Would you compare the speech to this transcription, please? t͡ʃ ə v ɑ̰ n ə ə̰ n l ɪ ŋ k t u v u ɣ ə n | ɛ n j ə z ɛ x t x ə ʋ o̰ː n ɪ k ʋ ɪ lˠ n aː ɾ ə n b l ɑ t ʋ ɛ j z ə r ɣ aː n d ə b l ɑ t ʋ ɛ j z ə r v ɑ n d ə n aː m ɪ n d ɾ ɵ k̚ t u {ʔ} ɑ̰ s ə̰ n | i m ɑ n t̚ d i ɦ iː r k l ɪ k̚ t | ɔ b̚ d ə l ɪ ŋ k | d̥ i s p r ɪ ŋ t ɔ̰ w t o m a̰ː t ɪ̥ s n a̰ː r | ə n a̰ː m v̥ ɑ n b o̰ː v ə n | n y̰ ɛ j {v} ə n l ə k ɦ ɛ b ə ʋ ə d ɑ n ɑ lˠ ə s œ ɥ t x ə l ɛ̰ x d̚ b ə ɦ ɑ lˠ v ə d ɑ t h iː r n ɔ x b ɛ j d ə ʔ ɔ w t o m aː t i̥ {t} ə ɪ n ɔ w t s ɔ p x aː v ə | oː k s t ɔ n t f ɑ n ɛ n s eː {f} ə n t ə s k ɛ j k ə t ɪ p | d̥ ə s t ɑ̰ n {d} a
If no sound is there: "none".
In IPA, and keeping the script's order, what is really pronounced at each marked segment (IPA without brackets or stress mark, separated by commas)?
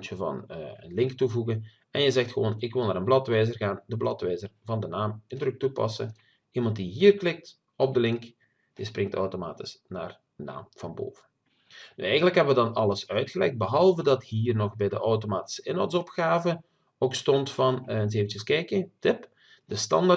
p, ɣ, s, v, d